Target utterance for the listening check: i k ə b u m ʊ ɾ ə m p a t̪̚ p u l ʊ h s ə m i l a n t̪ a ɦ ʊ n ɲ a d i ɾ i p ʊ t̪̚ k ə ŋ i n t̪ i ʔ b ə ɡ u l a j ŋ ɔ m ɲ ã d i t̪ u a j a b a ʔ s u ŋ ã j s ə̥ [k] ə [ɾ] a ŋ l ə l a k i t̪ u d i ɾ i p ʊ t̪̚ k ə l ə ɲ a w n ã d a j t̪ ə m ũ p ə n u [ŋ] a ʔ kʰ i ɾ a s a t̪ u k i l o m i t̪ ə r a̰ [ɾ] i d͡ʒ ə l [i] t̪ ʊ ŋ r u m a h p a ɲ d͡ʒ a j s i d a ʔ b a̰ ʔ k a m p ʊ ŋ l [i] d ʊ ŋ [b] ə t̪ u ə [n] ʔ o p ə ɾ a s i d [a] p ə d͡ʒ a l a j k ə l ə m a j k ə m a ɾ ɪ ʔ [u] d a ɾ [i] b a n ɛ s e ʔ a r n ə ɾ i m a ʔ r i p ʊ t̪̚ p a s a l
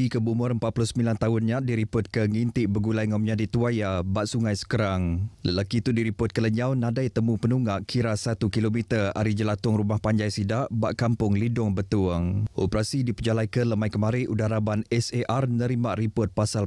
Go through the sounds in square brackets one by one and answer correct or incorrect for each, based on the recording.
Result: correct, correct, correct, correct, incorrect: a, correct, correct, incorrect: ŋ, incorrect: i, correct, incorrect: a

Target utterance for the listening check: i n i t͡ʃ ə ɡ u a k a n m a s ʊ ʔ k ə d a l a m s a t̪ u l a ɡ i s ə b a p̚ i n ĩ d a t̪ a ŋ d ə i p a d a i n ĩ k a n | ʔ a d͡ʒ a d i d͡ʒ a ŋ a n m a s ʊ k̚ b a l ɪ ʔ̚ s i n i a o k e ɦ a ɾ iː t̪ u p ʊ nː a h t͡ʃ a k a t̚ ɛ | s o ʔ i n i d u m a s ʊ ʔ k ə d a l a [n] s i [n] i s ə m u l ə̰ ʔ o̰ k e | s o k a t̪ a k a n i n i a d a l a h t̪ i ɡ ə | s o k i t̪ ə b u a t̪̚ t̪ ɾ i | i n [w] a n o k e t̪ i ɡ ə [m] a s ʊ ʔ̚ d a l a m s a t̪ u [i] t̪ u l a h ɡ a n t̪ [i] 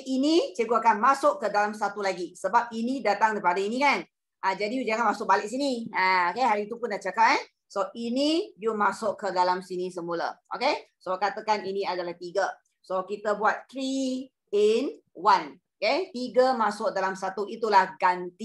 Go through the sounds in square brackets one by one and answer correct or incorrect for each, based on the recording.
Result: incorrect: m, correct, correct, correct, correct, correct

